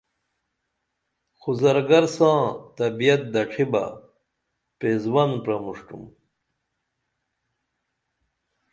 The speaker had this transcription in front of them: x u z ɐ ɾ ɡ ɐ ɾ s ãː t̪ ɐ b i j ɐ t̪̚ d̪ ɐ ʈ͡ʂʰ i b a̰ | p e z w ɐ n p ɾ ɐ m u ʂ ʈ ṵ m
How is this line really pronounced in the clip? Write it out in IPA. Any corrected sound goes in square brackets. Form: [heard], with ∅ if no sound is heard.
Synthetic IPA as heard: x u z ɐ ɾ ɡ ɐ ɾ s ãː t̪ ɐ b i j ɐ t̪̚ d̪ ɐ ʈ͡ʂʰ i b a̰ | p e z w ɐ n p ɾ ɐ m u ʂ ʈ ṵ m